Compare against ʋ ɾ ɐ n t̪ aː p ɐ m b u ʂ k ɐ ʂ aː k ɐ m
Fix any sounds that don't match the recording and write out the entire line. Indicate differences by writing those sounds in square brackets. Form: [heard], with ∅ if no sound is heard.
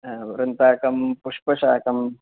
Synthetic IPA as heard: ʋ ɾ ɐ n t̪ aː [k] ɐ m [p] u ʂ [p] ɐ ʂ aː k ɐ m